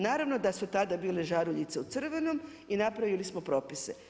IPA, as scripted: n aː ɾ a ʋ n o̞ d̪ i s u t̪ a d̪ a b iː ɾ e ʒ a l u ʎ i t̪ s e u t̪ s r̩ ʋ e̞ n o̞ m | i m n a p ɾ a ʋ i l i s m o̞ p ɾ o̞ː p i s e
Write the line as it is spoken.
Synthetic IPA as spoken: n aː ɾ a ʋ n o̞ d̪ a s u t̪ a d̪ a b iː l e ʒ a ɾ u ʎ i t̪ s e u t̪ s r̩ ʋ e̞ n o̞ m | i n a p ɾ a ʋ i l i s m o̞ p ɾ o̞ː p i s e